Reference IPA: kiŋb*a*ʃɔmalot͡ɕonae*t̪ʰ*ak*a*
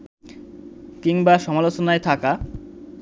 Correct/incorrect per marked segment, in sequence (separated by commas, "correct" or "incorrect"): correct, correct, correct